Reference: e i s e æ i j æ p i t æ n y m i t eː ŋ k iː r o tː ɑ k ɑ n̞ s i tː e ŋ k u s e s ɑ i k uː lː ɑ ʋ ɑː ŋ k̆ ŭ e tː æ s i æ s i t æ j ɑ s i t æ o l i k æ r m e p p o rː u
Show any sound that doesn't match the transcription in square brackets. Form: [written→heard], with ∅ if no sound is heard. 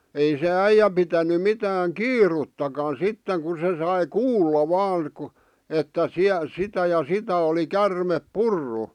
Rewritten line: e i s e æ i j æ p i t æ n y m i t [eː→æː] ŋ k iː r [o→u] tː ɑ k ɑ n̞ s i tː e ŋ k u s e s ɑ i k uː lː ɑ ʋ ɑː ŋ k̆ ŭ e tː æ s i æ s i t æ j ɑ s i t æ o l i k æ r m e p p [o→u] rː u